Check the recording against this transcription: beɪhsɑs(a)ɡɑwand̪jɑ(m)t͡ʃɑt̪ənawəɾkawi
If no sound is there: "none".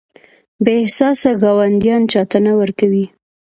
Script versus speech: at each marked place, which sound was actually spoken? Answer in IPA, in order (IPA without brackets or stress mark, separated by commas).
a, n